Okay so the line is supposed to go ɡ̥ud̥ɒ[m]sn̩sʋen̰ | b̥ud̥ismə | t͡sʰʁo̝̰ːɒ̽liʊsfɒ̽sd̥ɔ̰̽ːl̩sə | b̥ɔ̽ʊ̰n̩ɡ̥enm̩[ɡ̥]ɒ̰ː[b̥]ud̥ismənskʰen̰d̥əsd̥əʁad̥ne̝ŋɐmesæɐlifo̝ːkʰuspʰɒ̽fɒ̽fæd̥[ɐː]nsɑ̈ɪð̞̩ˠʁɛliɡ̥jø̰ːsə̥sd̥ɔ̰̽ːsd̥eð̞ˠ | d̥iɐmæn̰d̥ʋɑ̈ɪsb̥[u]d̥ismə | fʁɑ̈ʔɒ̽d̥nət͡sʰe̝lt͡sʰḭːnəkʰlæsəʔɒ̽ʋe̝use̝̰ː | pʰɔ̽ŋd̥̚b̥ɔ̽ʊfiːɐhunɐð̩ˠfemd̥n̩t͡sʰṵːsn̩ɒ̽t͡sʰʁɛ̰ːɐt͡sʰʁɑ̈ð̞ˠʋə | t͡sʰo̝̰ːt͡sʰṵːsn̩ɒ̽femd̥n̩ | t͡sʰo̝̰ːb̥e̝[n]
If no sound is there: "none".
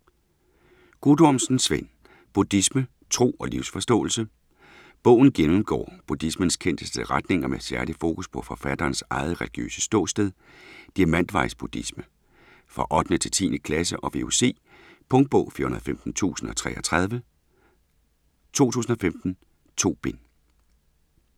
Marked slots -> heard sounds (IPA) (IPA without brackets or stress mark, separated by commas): m, ɡ̥, b̥, ɐː, u, n